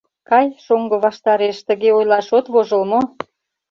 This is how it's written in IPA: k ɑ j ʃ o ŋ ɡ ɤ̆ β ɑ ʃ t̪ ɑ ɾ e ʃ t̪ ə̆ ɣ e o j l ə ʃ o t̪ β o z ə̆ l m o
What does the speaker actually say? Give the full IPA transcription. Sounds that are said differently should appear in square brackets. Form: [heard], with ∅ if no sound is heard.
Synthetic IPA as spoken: k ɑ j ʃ o ŋ ɡ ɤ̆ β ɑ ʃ t̪ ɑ ɾ e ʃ t̪ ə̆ ɣ e o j l [ɑ] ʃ o t̪ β o [ʒ] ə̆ l m o

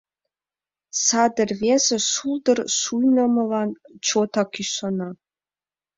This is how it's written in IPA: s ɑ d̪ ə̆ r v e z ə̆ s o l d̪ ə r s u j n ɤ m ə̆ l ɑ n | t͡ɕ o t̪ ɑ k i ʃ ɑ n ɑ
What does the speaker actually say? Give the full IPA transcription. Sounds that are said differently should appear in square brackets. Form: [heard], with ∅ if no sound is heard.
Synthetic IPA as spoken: s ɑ d̪ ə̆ r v e z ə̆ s [u] l d̪ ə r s u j n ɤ m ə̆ l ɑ n | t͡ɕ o t̪ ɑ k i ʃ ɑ n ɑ

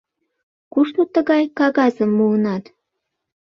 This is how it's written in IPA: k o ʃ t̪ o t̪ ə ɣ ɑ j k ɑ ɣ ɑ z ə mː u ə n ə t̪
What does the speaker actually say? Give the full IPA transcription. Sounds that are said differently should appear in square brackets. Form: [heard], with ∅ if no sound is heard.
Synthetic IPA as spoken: k [u] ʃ t̪ o t̪ ə ɣ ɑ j k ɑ ɣ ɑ z ə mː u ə n [ɑ] t̪

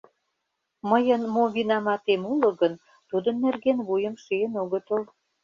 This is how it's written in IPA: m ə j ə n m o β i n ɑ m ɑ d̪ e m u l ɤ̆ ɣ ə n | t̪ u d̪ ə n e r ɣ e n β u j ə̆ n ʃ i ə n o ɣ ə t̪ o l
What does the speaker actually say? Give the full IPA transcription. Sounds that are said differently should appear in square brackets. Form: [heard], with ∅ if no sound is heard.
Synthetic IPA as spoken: m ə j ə n m o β i n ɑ m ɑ [t̪] e m u l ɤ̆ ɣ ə n | t̪ u d̪ ə [nː] e r ɣ e n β u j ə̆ [m] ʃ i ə n o ɣ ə t̪ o l

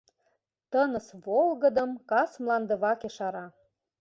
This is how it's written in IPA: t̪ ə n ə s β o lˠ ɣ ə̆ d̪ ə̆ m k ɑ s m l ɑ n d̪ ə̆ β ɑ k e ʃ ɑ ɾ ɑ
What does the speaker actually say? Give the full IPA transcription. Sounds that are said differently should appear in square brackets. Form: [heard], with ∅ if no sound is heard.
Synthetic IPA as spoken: t̪ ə n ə s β o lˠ ɣ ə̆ d̪ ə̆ m k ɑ s m l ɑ n d̪ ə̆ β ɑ k e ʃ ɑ ɾ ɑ

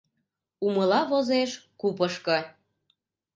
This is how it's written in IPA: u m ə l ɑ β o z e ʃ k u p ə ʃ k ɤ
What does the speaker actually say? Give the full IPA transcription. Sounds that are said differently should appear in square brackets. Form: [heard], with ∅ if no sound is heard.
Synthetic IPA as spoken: u m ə l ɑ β o z e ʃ k u p ə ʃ k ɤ

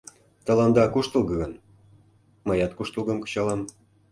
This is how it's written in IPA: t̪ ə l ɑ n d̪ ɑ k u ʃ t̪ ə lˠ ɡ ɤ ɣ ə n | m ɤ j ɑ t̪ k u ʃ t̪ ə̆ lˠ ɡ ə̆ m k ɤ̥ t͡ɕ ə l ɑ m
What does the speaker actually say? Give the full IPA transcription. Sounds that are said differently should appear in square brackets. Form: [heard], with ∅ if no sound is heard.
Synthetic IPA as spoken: t̪ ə l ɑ n d̪ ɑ k u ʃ t̪ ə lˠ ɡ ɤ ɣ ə n | m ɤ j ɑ t̪ k u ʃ t̪ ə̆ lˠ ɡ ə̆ m k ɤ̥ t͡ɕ [ɑ] l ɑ m

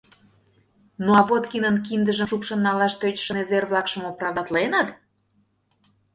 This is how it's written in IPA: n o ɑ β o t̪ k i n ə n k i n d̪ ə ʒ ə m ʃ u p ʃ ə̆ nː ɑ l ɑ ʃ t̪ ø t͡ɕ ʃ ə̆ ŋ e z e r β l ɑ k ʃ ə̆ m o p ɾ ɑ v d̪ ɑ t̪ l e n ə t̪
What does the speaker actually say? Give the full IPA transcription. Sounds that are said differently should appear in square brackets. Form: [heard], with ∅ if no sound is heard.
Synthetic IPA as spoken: n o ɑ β o t̪ k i n ə n k i n d̪ ə ʒ ə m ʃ u p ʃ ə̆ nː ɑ l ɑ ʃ t̪ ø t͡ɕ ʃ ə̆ [n] e z e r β l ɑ k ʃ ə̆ m o p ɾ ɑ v d̪ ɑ t̪ l e n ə t̪

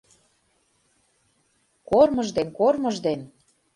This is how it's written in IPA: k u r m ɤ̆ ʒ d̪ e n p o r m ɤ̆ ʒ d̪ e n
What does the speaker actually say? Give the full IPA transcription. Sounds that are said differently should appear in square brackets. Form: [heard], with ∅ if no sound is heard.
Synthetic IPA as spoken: k [o] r m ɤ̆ ʒ d̪ e n [k] o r m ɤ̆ ʒ d̪ e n

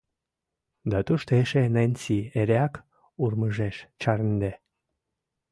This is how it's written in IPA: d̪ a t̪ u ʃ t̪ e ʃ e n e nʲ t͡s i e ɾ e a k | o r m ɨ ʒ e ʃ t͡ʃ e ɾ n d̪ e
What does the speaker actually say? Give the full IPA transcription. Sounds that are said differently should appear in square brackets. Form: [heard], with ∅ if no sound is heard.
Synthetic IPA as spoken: d̪ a t̪ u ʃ t̪ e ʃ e n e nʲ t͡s i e ɾ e a k | [u] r m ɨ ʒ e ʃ t͡ʃ [a] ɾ n d̪ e

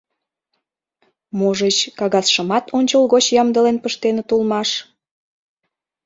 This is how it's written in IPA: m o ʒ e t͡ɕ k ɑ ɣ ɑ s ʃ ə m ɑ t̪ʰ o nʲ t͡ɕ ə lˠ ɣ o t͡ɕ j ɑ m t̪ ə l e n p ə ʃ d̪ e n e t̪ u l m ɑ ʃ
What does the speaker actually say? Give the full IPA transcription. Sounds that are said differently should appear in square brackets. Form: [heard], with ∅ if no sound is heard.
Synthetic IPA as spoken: m o ʒ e t͡ɕ k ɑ ɣ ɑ s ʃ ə m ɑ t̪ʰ o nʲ t͡ɕ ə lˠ ɣ o t͡ɕ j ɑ m [d̪] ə l e n p ə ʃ [t̪] e n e t̪ u l m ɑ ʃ

